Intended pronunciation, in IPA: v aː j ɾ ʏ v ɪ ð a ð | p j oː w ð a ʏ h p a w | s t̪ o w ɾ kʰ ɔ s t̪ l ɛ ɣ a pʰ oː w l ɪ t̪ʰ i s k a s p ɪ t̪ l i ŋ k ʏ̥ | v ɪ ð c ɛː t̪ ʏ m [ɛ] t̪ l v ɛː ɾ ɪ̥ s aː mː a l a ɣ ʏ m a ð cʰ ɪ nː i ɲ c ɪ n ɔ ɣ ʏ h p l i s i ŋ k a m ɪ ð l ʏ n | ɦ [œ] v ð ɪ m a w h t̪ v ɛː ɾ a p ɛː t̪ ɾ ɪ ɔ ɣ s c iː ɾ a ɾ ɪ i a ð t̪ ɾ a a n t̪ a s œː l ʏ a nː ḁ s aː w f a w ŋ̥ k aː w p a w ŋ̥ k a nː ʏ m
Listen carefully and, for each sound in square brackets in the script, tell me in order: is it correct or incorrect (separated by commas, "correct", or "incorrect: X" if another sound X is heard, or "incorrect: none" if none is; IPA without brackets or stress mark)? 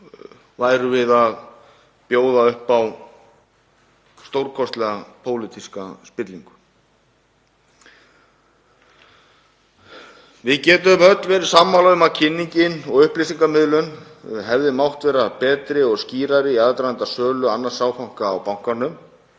incorrect: œ, incorrect: ɛ